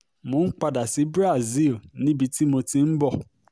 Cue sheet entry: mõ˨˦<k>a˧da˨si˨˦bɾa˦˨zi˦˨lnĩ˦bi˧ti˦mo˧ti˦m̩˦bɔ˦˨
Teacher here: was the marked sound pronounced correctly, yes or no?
no